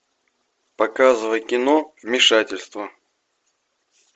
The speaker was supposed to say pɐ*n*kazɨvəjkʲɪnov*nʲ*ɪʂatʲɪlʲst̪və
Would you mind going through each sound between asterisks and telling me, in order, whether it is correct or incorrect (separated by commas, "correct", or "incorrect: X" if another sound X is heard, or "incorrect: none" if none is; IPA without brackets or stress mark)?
incorrect: none, incorrect: mʲ